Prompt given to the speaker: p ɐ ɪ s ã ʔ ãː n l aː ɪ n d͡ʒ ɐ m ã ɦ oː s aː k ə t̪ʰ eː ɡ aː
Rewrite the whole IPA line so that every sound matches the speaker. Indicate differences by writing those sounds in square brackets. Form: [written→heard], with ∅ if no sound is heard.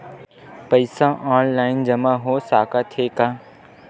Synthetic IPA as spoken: p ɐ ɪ s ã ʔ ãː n l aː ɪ n d͡ʒ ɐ m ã ɦ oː s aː k [ə→a] t̪ʰ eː [ɡ→k] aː

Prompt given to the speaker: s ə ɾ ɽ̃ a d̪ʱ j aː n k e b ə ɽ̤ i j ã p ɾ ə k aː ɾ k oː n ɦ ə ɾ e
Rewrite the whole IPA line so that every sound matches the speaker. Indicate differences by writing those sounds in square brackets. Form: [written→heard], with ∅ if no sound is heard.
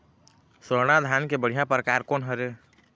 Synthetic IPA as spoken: s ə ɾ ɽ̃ a d̪ʱ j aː n k e b ə ɽ̤ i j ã p ɾ ə k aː ɾ k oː n ɦ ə ɾ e

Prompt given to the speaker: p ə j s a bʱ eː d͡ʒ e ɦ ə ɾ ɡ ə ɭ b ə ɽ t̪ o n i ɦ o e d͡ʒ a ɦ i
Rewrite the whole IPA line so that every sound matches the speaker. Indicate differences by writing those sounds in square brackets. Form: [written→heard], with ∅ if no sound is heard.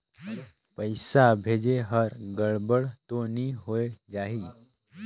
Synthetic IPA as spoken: p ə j s a bʱ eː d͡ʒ e ɦ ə ɾ ɡ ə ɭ b ə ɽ t̪ o n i ɦ o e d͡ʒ a ɦ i

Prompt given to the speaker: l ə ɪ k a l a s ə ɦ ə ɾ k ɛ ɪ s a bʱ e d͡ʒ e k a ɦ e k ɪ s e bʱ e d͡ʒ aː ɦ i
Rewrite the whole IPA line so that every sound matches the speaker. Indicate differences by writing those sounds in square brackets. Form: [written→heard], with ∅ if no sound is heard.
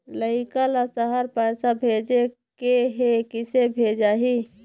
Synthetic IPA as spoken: l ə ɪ k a l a s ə ɦ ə ɾ [k→p] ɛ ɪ s a bʱ e d͡ʒ e k [a→e] ɦ e k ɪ s e bʱ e d͡ʒ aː ɦ i

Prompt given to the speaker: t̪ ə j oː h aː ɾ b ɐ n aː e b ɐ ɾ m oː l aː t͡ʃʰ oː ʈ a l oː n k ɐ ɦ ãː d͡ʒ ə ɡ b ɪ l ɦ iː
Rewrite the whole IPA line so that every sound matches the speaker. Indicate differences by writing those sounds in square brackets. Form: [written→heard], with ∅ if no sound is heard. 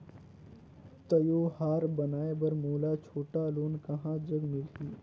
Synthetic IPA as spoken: t̪ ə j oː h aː ɾ b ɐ n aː e b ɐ ɾ m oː l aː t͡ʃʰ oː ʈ a l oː n k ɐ ɦ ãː d͡ʒ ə ɡ [b→m] ɪ l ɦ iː

